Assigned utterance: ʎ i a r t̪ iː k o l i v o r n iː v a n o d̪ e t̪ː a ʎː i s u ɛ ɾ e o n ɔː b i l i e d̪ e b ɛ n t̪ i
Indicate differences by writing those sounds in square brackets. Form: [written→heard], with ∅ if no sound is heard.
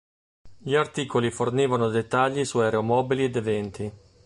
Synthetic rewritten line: ʎ i a r t̪ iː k o l i [v→f] o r n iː v a n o d̪ e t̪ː a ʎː i s u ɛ ɾ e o [n→m] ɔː b i l i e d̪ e [b→v] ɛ n t̪ i